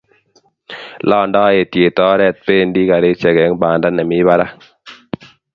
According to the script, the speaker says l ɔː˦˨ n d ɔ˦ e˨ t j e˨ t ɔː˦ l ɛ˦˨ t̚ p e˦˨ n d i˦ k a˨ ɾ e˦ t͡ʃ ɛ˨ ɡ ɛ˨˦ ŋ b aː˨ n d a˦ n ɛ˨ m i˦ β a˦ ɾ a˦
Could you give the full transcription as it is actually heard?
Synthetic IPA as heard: l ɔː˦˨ n d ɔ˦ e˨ t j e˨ t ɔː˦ ɾ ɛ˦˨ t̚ p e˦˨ n d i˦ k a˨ ɾ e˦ t͡ʃ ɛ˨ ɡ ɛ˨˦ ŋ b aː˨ n d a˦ n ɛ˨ m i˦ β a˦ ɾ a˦